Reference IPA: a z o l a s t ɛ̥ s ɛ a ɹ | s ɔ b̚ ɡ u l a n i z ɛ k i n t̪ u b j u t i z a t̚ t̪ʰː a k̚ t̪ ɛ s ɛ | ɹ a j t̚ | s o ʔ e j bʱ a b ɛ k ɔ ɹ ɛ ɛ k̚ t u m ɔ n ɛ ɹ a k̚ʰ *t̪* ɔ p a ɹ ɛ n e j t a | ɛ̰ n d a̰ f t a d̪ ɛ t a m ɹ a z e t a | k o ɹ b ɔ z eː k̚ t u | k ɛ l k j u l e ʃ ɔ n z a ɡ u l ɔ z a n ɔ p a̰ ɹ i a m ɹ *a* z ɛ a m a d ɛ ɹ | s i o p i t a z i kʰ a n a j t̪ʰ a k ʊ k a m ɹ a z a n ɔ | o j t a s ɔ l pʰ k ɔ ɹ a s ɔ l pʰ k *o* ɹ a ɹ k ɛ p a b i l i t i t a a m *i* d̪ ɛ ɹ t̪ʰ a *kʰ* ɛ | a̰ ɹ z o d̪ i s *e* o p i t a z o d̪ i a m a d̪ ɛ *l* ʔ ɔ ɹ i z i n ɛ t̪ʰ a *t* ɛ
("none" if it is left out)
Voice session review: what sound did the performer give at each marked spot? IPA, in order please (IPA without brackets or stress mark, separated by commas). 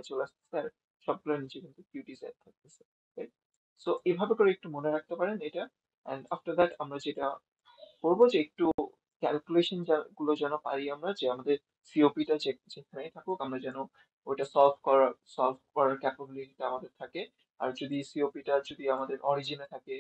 t̪, a, ɔ, a, k, i, ɹ, k